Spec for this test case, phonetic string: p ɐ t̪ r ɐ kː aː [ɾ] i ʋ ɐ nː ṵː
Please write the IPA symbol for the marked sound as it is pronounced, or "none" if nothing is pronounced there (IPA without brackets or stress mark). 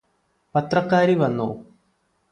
ɾ